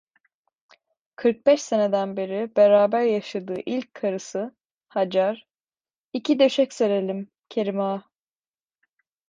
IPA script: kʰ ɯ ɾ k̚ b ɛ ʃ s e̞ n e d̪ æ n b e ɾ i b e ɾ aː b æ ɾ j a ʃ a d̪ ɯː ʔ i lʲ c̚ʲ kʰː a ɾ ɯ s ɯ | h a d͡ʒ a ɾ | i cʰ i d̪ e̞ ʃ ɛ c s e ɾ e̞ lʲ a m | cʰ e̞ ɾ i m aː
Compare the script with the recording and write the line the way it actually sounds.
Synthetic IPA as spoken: kʰ ɯ ɾ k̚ b ɛ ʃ s e̞ n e d̪ æ n b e ɾ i b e ɾ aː b æ ɾ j a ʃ a d̪ ɯː ʔ i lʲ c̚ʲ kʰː a ɾ ɯ s ɯ | h a d͡ʒ a ɾ | i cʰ i d̪ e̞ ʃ ɛ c s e ɾ e̞ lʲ i m | cʰ e̞ ɾ i m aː